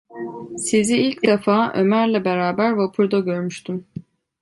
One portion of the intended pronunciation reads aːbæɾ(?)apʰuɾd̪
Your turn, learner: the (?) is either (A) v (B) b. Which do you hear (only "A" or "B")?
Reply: A